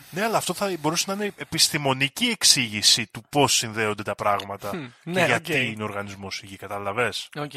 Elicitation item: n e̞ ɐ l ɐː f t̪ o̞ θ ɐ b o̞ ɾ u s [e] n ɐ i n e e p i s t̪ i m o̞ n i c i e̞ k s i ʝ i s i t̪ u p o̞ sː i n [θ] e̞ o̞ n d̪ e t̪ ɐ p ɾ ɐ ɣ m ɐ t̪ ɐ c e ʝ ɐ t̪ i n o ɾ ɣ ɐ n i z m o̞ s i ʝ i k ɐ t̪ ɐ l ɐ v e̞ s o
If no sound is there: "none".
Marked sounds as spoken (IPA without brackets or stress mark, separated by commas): e, ð